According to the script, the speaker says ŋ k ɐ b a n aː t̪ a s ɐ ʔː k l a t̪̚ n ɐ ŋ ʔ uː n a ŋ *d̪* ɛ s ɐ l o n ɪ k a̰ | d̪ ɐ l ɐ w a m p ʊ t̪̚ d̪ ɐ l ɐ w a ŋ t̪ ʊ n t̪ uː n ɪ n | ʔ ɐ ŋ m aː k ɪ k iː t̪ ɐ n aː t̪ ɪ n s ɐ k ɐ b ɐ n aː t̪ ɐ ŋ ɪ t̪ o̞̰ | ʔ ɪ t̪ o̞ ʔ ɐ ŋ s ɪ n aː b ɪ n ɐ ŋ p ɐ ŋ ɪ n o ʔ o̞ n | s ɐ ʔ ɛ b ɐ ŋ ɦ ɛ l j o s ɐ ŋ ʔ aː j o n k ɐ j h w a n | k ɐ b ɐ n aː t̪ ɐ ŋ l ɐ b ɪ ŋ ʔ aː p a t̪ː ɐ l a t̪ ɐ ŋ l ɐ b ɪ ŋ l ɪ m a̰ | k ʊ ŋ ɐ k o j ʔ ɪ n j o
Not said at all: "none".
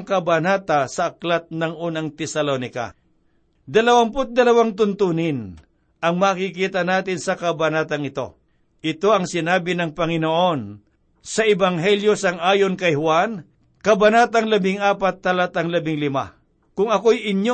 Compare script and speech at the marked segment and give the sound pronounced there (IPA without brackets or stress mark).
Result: t̪